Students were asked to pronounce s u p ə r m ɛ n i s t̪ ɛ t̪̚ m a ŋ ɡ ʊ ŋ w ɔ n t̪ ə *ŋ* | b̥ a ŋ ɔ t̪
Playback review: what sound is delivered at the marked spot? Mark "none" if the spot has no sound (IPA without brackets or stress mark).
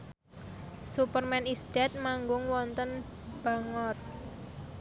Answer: n